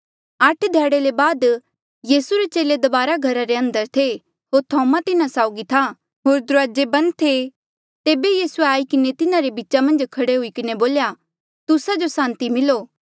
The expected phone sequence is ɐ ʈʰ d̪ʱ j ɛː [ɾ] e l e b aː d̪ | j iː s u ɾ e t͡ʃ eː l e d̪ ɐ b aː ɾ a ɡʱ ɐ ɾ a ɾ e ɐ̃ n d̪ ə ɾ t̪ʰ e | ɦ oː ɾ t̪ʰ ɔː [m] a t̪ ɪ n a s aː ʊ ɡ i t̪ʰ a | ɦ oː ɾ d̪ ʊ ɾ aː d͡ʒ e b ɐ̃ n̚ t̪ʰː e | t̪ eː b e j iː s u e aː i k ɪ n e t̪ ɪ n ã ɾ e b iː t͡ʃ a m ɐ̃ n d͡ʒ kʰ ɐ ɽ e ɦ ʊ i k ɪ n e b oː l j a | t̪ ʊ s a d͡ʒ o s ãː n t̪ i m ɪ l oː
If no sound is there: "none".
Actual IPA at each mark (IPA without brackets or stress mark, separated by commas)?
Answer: ɽ, m